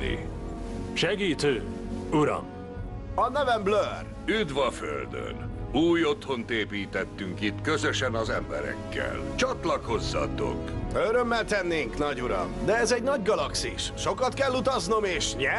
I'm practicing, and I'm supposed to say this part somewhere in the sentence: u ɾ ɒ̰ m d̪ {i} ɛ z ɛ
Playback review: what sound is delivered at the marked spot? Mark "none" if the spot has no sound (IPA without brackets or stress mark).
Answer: ɛ